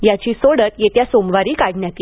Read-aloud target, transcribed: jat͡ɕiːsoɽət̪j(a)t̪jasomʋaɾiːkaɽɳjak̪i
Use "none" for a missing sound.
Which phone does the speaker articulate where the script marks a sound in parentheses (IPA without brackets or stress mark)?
e